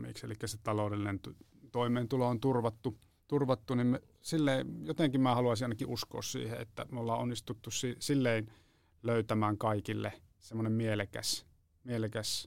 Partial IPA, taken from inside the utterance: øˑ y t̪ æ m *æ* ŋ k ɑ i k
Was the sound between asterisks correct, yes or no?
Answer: no